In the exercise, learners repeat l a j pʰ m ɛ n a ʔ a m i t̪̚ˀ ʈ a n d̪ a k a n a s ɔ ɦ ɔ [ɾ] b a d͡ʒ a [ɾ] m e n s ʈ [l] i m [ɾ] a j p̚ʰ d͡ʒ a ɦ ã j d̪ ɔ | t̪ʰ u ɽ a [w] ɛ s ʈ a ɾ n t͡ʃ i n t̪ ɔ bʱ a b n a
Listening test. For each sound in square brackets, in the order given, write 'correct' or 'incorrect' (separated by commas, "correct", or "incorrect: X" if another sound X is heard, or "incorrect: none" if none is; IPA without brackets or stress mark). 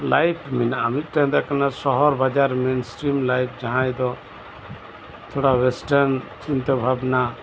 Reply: correct, correct, incorrect: ɾ, incorrect: l, correct